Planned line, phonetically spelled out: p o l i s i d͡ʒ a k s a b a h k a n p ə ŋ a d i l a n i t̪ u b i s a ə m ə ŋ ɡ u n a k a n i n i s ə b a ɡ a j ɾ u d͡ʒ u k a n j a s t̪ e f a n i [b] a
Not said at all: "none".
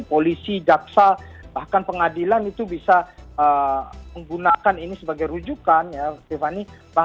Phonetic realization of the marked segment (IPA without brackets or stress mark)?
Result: b